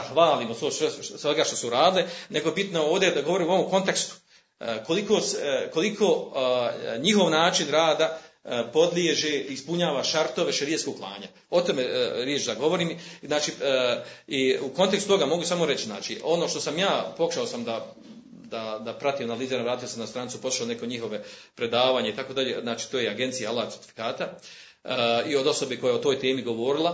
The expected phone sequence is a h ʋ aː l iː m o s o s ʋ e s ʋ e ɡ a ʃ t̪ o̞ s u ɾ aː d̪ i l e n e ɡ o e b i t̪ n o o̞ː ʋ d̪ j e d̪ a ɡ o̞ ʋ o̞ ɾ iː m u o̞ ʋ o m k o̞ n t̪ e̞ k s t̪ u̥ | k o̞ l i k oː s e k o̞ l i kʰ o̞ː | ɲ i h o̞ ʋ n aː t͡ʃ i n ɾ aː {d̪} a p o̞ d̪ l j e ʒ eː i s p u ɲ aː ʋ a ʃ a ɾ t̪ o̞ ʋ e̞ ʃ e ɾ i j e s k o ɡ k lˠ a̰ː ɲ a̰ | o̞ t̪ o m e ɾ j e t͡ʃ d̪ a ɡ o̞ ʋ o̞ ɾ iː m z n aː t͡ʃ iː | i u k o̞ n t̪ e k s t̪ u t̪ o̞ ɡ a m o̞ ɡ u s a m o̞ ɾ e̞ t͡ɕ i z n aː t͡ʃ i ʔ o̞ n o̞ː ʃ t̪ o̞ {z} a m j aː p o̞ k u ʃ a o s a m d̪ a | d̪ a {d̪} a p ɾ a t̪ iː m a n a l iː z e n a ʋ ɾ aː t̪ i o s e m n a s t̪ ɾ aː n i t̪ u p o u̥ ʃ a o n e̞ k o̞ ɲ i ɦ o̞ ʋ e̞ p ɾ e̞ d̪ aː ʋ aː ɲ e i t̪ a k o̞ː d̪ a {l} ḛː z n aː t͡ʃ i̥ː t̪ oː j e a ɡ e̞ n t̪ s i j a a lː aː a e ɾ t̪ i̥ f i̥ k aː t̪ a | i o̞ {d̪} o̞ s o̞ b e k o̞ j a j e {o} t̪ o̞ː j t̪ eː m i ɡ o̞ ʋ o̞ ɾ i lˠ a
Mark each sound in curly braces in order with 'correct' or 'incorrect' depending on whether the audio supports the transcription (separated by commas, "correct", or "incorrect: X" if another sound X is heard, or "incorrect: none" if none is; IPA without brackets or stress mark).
correct, incorrect: s, correct, incorrect: ʎ, correct, correct